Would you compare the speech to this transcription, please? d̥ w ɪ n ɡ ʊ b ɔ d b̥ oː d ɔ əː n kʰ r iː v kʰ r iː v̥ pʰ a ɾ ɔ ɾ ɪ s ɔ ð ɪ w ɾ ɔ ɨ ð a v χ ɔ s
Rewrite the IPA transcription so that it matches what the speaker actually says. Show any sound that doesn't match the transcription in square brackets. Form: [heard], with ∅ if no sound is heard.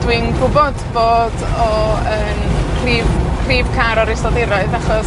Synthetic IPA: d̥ w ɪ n ɡ ʊ b ɔ d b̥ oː d ɔ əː n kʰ r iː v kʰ r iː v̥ [kʰ] a ɾ ɔ ɾ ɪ s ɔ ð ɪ [∅] ɾ ɔ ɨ ð a [∅] χ ɔ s

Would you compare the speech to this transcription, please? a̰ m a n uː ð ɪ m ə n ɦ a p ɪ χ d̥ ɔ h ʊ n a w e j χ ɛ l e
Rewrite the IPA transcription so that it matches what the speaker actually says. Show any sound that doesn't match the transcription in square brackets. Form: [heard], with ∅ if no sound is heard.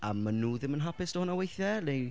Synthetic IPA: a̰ m a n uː ð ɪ m ə n ɦ a p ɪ [s] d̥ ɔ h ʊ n a w e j [θ] ɛ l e

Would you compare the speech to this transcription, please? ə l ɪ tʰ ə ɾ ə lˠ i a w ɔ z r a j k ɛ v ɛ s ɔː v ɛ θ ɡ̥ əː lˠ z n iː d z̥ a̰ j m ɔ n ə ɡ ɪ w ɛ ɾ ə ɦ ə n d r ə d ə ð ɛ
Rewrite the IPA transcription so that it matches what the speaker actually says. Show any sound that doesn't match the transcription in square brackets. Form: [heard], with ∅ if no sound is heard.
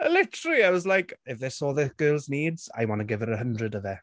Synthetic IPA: ə l ɪ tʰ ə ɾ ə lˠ i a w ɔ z [l] a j k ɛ v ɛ s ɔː [ð] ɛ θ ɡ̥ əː lˠ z n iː d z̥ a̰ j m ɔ n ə ɡ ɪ [v] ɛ ɾ ə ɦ ə n d r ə d ə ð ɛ

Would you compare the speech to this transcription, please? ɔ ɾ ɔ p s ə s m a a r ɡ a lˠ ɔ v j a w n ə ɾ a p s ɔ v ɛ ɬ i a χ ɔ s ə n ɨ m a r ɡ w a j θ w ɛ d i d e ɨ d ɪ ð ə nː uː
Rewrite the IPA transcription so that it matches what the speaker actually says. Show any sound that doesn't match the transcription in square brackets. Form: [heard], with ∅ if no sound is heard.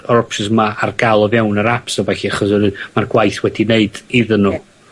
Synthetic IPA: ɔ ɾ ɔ p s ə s m a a r ɡ a lˠ ɔ v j a w n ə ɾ a p s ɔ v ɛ ɬ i a χ ɔ s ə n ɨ m a r ɡ w a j θ w ɛ d i [n] e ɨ d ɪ ð ə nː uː

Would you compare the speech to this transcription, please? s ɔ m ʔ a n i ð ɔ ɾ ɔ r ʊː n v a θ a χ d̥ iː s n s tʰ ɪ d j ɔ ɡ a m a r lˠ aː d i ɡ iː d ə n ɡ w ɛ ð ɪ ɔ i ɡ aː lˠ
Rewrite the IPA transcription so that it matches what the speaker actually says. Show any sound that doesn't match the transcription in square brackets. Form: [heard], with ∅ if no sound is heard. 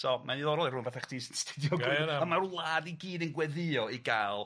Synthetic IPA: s ɔ m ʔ a n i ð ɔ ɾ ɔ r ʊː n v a θ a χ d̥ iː s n s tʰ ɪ d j ɔ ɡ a m a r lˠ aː d i ɡ iː d ə n ɡ w ɛ ð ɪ ɔ i ɡ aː lˠ

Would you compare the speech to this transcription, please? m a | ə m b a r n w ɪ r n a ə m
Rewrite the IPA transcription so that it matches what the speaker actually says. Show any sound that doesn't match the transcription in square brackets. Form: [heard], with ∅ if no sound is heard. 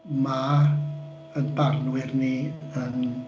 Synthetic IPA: m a | ə [n] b a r n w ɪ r n [i] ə [n]

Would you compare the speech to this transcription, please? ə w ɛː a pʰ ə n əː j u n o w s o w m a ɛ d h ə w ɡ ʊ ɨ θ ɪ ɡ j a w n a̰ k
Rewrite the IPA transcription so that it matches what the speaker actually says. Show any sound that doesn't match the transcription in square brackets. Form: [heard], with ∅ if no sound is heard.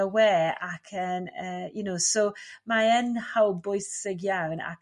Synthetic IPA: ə w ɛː a [kʰ] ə n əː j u n o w s o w m a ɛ [n] h [a] w [b] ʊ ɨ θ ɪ ɡ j a w n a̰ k

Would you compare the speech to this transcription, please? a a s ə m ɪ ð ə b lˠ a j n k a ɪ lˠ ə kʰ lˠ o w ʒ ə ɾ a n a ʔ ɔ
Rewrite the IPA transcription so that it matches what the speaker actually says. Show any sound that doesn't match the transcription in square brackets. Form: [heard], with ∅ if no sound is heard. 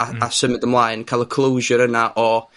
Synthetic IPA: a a s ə m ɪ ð ə [m] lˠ a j n [kʰ] a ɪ lˠ ə kʰ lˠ o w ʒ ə ɾ [ə] n a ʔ ɔ

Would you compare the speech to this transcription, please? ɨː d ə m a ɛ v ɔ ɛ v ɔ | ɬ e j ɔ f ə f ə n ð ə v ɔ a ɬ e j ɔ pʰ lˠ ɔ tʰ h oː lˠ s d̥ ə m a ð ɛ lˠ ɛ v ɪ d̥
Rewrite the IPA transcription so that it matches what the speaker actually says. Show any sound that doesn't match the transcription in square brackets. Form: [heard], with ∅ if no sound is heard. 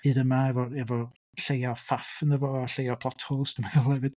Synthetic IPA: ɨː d ə m a ɛ v ɔ ɛ v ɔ | ɬ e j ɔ f [a] f ə n ð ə v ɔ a ɬ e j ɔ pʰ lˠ ɔ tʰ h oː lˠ s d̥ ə m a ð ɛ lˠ ɛ v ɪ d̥

